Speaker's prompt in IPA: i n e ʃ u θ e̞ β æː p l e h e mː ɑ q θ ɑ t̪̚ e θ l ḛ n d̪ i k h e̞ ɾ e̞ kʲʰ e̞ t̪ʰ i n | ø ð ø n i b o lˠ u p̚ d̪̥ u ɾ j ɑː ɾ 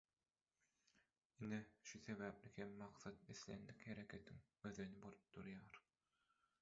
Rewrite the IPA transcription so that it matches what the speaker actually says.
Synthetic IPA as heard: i n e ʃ u θ e̞ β æː p l i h e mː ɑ q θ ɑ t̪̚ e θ l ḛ n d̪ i k h e̞ ɾ e̞ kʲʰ e̞ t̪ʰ i ŋ | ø ð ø n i b o lˠ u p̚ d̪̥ u ɾ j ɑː ɾ

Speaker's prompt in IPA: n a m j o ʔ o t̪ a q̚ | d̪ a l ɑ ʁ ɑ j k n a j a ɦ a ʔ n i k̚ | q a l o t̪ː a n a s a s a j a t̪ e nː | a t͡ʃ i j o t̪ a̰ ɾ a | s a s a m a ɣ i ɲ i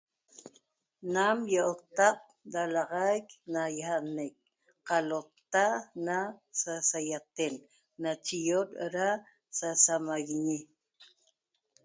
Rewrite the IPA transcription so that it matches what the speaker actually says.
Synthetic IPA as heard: n a m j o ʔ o t̪ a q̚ | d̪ a l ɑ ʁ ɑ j k n a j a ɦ a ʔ n e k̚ | q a l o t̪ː a n a s a s a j a t̪ e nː | a t͡ʃ i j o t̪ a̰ ɾ a | s a s a m a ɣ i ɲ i

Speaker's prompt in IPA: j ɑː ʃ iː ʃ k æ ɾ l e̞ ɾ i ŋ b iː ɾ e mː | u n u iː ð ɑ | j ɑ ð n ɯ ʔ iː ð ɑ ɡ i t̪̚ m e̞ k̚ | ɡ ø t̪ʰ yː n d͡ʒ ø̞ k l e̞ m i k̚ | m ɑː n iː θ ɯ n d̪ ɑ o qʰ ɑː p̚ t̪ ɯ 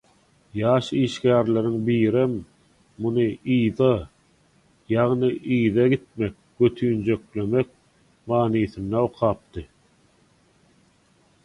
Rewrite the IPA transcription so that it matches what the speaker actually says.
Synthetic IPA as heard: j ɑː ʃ iː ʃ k æː ɾ l e̞ ɾ i ŋ b iː ɾ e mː | u n ɯ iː ð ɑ | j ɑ ʁ n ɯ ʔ iː ð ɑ ɡ i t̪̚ m e̞ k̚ | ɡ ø t̪ʰ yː n d͡ʒ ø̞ k l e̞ m e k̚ | m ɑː n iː θ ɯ n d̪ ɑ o qʰ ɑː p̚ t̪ ɯ

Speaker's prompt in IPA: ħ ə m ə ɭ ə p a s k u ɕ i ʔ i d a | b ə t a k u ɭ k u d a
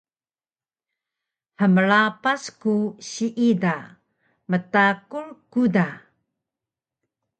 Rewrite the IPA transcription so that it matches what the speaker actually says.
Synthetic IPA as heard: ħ ə m ə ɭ a p a s k u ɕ i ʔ i d a | m ə t a k u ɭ k u d a

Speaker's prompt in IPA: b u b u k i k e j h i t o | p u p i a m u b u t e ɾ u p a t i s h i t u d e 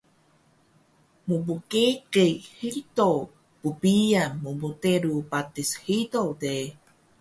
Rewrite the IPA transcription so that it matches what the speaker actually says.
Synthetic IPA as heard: m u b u k e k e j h i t o | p u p i a m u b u t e ɾ u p a t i s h i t o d e

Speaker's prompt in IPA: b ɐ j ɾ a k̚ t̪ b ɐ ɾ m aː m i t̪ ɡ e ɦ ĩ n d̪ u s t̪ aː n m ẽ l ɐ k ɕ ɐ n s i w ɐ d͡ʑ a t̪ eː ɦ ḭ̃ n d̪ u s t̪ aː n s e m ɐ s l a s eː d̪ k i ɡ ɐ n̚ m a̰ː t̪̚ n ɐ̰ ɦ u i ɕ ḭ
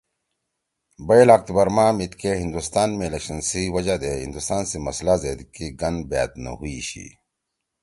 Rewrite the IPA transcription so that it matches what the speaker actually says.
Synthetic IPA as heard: b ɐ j l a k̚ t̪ b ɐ ɾ m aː m i t̪ k e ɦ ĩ n d̪ u s t̪ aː n m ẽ l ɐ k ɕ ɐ n s i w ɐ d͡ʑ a d̪ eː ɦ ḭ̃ n d̪ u s t̪ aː n s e m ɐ s l a z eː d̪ k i ɡ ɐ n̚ b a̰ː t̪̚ n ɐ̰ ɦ u i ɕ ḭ

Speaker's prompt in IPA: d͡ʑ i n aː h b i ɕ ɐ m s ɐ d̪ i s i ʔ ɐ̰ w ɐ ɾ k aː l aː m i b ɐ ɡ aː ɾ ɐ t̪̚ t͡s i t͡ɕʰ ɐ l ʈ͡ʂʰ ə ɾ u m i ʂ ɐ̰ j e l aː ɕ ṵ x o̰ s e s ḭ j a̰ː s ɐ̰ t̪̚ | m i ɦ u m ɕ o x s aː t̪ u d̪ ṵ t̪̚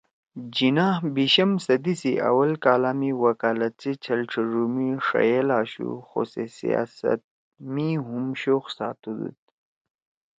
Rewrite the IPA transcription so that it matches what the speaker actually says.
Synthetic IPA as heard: d͡ʑ i n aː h b i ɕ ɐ m s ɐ d̪ i s i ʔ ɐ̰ w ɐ l k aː l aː m i w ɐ k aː l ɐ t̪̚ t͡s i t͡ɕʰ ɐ l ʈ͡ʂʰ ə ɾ u m i ʂ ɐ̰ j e l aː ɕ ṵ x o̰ s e s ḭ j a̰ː s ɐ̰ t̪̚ | m i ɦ u m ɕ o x s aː t̪ u d̪ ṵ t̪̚

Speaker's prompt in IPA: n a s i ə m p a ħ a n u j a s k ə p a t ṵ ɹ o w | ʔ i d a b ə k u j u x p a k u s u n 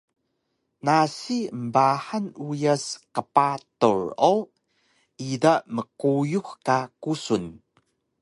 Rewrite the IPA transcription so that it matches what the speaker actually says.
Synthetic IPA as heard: n a s i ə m b a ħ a n u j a s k ə p a t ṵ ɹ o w | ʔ i d a m ə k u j u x k a k u s u n

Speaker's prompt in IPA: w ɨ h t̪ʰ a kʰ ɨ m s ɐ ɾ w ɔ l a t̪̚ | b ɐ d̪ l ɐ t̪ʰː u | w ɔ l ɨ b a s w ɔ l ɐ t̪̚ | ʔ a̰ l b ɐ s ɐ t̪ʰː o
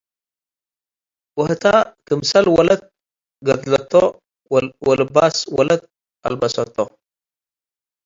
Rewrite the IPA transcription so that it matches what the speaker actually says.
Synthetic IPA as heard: w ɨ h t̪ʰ a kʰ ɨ m s ɐ l w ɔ l ɐ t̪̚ | ɡ ɐ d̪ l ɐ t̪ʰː o | w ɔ l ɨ b a s w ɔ l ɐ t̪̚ | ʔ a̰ l b ɐ s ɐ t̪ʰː o

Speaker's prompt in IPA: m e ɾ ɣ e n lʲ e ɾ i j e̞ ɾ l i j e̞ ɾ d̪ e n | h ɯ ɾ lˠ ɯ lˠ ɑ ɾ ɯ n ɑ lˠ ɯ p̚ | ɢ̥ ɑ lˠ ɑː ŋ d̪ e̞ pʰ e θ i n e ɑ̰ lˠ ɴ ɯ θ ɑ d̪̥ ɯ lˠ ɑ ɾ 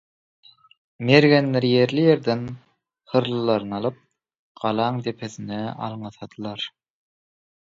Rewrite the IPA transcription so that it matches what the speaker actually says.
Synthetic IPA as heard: m e ɾ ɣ e n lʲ e ɾ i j e̞ ɾ l i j e̞ ɾ d̪ e n | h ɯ ɾ lˠ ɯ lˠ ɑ ɾ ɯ n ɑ lˠ ɯ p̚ | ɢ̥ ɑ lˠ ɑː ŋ d̪ e̞ pʰ e θ i n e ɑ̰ lˠ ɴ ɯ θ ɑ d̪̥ ɯ lˠ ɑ ɾ

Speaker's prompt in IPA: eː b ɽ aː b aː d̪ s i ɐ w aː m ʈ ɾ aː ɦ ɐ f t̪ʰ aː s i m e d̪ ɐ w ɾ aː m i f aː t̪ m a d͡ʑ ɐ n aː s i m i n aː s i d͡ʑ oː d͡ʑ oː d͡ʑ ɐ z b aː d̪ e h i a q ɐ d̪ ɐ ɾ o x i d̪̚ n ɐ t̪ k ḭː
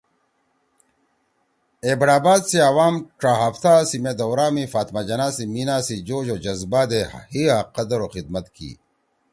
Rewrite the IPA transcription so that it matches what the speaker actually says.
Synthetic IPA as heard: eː b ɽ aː b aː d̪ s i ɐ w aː m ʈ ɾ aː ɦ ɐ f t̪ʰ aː s i m e d̪ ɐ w ɾ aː m i f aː t̪ m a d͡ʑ ɐ n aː s i m i n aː s i d͡ʑ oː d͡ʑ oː d͡ʑ ɐ z b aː d̪ e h i a q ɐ d̪ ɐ ɾ o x i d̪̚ m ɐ t̪ k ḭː

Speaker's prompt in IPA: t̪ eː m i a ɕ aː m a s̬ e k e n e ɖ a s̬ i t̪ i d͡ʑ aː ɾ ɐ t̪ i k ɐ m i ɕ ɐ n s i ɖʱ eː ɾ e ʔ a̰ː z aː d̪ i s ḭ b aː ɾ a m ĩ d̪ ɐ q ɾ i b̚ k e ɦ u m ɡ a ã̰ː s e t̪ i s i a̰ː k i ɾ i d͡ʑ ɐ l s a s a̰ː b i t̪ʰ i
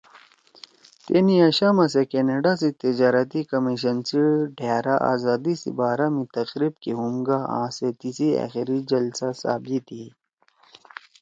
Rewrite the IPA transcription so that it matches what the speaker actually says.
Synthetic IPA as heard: t̪ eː n i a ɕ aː m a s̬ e k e n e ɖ a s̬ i t̪ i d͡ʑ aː ɾ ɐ t̪ i k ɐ m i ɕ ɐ n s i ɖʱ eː ɾ a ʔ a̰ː z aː d̪ i s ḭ b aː ɾ a m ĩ t̪ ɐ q ɾ i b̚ k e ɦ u m ɡ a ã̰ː s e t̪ i s i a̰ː x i ɾ i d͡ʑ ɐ l s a s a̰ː b i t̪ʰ i

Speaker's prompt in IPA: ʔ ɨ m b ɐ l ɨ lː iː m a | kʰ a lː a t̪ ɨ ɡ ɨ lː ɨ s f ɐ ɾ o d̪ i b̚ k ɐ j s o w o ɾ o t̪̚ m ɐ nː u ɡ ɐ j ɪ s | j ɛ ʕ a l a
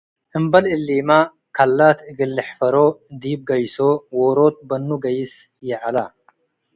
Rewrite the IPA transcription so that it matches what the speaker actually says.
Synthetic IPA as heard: ʔ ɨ m b ɐ l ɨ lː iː m a | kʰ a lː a t̪ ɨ ɡ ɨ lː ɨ ħ f ɐ ɾ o d̪ i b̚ ɡ ɐ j s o w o ɾ o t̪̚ b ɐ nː u ɡ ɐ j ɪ s | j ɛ ʕ a l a

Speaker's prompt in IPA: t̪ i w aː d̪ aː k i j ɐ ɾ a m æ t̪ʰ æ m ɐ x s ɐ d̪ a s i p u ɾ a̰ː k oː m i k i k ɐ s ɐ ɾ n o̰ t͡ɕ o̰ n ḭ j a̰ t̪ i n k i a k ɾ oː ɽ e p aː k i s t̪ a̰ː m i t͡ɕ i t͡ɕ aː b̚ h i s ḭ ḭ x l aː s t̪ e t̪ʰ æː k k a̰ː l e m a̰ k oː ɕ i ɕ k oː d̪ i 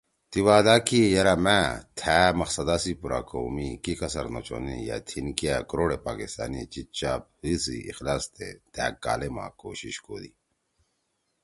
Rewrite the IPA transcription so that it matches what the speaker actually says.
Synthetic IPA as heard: t̪ i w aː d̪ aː k i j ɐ ɾ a m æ t̪ʰ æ m ɐ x s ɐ d̪ a s i p u ɾ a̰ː k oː m i k i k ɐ s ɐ ɾ n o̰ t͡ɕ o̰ n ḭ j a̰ t̪ʰ i n k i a k ɾ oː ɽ e p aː k i s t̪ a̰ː n i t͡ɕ i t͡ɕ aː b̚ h i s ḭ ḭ x l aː s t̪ e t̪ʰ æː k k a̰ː l e m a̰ k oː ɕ i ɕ k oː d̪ i

